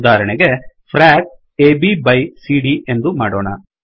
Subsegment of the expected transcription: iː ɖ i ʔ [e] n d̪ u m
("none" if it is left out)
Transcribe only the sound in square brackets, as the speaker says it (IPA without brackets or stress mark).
e